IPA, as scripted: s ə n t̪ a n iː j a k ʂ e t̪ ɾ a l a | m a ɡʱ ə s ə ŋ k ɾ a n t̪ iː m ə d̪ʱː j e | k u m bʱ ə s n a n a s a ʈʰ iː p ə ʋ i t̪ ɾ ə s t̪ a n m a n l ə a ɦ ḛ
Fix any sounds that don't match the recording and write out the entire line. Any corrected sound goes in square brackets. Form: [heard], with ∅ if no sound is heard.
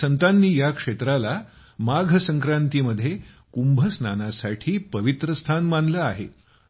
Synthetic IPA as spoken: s ə n t̪ a [nː] iː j a k ʂ e t̪ ɾ a l a | m a ɡʱ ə s ə ŋ k ɾ a n t̪ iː m ə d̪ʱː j e | k u m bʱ ə s n a n a s a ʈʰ iː p ə ʋ i t̪ ɾ ə s [t̪ʰ] a n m a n l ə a ɦ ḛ